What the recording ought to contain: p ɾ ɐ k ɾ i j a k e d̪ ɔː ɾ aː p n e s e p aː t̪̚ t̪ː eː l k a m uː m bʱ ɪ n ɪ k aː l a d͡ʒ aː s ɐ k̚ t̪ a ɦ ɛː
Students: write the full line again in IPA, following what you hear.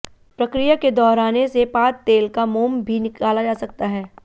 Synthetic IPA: p ɾ ɐ k ɾ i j a k e d̪ ɔː ɾ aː n e s e p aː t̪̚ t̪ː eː l k a m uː m bʱ i n ɪ k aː l a d͡ʒ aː s ɐ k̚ t̪ a ɦ ɛː